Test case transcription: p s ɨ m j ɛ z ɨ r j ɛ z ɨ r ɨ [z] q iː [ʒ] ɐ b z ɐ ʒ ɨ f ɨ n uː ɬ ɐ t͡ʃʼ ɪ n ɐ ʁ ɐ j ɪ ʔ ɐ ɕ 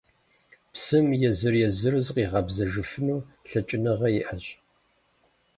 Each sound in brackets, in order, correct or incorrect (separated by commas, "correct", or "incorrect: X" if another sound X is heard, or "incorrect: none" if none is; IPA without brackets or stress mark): correct, incorrect: ʁ